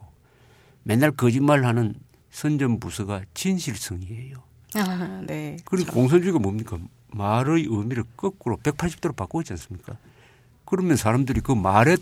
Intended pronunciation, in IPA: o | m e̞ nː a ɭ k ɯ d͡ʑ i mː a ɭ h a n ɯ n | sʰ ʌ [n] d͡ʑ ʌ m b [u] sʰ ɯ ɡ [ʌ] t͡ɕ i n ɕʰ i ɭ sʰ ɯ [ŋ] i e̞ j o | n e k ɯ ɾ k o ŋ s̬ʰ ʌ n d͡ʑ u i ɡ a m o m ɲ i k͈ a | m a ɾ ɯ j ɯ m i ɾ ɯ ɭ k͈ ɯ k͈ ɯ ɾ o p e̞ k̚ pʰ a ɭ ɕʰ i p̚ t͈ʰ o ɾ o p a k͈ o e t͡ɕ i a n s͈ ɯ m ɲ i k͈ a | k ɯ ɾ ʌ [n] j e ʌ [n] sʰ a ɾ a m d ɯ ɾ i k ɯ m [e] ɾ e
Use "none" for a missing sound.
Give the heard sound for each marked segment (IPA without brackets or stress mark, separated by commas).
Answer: n, u, a, ŋ, m, n, a